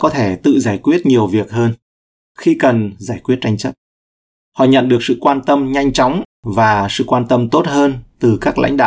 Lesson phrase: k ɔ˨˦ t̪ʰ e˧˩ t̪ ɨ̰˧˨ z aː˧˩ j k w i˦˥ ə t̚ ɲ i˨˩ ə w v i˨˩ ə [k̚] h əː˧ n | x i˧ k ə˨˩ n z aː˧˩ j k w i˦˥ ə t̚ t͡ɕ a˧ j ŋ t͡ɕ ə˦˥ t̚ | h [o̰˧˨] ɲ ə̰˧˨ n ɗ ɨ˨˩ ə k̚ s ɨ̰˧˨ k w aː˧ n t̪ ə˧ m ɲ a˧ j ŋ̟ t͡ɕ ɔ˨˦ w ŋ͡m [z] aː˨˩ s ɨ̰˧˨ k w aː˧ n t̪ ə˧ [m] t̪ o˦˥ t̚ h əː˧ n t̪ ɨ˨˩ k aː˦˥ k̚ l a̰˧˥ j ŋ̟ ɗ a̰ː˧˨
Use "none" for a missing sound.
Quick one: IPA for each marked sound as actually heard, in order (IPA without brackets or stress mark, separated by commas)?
k̚, ɔ̰˧˨, v, m